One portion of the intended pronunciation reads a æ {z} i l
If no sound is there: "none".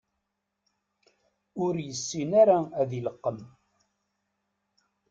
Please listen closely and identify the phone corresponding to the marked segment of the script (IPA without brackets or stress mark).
ð